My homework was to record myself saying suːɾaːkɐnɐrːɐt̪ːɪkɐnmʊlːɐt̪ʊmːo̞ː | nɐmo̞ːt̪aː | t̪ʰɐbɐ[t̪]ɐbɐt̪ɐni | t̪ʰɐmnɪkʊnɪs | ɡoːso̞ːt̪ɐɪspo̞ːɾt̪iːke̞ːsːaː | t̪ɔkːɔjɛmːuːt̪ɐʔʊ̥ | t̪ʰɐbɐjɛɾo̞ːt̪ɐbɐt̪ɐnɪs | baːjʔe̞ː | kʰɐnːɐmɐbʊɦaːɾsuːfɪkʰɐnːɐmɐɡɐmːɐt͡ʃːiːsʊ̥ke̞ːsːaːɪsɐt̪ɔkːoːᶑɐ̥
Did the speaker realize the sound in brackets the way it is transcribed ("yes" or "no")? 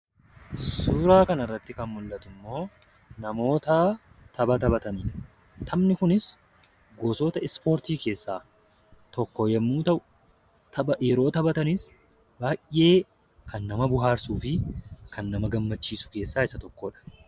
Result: yes